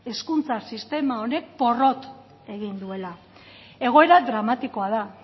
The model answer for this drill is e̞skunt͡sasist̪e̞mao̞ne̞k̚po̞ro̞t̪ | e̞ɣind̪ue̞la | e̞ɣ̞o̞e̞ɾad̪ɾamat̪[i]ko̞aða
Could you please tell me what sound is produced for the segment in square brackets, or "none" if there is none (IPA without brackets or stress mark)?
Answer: i